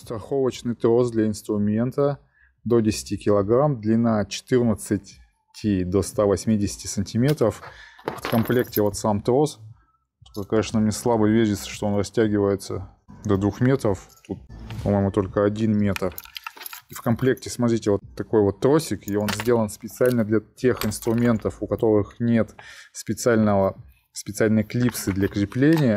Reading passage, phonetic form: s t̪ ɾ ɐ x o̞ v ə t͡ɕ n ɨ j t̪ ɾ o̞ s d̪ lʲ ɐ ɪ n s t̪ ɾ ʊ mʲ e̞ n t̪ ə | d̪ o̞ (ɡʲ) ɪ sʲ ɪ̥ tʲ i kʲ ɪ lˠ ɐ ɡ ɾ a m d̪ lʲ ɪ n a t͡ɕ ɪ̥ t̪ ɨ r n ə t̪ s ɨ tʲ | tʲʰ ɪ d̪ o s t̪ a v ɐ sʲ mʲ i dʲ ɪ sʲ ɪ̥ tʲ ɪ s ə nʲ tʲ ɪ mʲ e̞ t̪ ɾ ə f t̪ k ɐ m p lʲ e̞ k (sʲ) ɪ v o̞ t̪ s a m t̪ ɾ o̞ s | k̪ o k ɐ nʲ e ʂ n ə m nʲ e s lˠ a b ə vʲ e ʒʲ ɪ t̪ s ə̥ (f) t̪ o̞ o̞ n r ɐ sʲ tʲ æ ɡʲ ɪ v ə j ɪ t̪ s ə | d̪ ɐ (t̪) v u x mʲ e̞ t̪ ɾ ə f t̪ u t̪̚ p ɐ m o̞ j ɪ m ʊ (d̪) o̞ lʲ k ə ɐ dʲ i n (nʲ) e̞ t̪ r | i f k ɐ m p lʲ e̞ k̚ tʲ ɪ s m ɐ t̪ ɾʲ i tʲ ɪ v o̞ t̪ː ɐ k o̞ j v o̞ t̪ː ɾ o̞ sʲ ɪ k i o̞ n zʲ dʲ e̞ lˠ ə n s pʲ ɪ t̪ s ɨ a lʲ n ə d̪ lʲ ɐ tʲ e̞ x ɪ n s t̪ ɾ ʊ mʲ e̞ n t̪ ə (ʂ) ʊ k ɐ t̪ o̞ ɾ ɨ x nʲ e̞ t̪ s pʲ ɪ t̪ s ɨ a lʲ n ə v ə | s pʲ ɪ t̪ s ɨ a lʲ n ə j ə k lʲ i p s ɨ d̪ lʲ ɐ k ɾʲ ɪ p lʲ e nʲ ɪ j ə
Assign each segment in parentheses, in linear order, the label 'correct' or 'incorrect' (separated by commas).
incorrect, incorrect, incorrect, incorrect, incorrect, incorrect, incorrect